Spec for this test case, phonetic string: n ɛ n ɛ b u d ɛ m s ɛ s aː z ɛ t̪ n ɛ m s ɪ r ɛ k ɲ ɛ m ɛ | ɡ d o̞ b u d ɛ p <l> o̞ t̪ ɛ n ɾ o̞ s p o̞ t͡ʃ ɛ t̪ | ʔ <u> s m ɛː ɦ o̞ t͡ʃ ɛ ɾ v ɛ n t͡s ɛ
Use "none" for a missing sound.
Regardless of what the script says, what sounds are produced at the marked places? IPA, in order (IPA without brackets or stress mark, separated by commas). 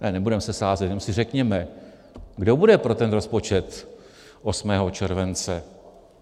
ɾ, o